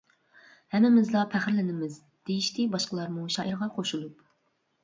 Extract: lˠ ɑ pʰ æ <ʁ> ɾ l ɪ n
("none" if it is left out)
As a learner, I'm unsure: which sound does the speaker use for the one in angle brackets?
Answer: χ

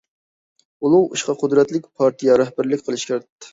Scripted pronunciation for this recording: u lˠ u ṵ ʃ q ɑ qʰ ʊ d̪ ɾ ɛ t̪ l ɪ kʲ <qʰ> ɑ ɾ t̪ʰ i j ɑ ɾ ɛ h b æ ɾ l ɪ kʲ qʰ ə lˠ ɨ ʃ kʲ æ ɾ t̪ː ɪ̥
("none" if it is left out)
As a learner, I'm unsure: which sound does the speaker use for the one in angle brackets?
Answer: pʰ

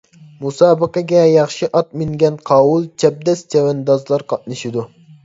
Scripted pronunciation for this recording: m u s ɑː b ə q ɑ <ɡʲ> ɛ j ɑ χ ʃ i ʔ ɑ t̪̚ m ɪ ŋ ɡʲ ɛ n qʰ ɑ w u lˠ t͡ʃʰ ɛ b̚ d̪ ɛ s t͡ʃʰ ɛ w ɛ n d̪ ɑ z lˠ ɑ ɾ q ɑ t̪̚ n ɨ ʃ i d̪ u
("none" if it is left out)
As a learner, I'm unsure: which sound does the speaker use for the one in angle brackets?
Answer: ɡʲ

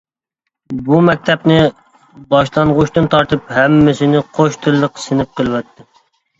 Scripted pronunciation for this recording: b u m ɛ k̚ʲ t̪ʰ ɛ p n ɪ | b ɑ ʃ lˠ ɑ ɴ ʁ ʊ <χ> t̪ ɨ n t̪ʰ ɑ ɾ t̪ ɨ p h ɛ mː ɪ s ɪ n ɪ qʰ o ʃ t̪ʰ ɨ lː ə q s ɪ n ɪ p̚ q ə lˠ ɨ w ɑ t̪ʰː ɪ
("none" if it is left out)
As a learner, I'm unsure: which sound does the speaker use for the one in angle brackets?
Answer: ʃ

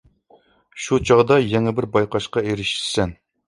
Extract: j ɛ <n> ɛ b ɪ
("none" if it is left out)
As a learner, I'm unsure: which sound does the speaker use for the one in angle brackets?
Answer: ŋ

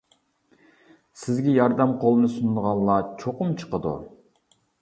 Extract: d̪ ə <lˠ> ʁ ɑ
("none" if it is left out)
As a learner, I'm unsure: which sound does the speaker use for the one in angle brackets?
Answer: none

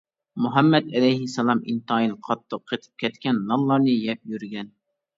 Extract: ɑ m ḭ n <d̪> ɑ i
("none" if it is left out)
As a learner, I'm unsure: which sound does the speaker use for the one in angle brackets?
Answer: t̪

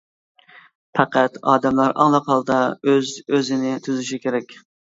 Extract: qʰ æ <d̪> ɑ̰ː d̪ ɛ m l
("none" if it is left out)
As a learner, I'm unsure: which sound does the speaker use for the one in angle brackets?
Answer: t̪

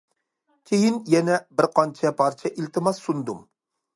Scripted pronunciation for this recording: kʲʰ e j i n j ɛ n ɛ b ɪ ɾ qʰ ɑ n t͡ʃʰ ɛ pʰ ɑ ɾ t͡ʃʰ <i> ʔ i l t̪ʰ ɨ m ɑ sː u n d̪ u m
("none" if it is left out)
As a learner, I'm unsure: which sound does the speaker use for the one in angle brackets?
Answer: ɛ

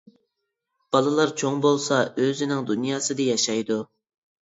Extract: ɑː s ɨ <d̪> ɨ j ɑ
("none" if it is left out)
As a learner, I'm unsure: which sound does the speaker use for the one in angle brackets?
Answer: d̪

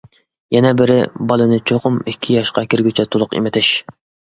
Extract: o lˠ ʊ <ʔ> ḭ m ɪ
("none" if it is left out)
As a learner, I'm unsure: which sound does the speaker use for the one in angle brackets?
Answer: q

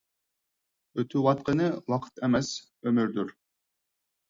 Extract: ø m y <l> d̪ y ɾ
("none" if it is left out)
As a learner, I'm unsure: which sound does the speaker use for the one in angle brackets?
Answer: ɾ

